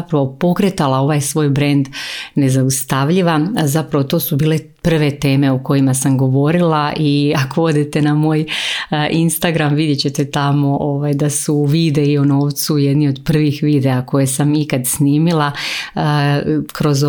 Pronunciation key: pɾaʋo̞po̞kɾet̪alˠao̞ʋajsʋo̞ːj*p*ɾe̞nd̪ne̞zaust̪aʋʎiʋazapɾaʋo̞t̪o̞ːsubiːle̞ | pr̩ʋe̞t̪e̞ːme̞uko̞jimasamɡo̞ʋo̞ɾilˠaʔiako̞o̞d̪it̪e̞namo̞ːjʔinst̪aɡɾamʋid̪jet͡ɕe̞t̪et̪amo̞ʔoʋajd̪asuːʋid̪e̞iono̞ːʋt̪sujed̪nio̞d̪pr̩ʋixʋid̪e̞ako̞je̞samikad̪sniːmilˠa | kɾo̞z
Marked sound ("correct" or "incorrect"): incorrect